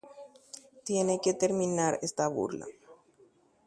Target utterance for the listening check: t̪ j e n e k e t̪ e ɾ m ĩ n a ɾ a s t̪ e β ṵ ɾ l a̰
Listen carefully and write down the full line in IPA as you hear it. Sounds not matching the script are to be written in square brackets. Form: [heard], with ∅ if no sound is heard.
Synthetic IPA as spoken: t̪ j e n e k e t̪ e ɾ m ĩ n a ɾ [e] s t̪ [a] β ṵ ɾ l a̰